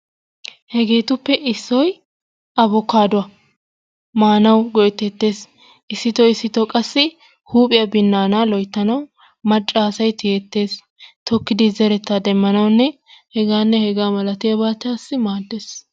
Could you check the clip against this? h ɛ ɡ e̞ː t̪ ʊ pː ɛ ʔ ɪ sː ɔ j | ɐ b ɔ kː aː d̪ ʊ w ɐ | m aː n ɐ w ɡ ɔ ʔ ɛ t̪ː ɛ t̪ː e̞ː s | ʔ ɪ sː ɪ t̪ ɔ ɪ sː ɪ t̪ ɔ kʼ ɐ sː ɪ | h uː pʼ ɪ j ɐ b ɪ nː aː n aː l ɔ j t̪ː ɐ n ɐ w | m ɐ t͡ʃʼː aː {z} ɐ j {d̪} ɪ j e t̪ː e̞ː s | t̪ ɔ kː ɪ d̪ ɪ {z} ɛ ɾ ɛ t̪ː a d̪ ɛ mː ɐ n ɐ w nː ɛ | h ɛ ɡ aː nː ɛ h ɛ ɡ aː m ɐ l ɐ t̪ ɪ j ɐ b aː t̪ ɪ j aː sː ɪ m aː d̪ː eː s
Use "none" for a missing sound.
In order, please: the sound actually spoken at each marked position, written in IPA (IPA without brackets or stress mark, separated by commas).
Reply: s, t̪, z